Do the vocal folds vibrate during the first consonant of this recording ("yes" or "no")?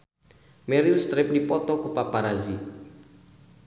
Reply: yes